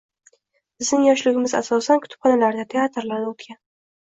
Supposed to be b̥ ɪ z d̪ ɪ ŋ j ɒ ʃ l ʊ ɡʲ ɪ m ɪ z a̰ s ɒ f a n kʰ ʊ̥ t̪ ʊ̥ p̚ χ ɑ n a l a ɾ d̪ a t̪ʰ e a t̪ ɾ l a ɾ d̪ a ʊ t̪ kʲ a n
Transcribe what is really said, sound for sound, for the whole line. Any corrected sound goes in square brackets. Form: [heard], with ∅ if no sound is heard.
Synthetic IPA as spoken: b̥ ɪ z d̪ ɪ ŋ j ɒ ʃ l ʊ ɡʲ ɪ m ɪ z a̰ s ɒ [s] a n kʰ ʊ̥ t̪ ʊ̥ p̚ χ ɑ n a l a ɾ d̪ a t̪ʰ e a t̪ ɾ l a ɾ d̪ a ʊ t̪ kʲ a n